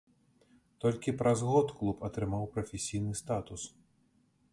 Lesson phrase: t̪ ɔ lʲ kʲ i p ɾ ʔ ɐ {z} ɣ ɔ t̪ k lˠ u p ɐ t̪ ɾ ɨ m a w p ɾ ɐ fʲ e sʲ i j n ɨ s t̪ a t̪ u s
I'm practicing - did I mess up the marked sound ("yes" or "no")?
no